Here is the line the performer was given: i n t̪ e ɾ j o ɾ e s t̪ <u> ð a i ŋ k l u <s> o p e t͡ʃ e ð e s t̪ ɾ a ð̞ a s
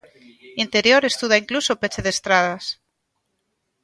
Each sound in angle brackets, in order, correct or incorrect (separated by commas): correct, correct